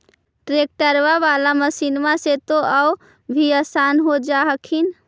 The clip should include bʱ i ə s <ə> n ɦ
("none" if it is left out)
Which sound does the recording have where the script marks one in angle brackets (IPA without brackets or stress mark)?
a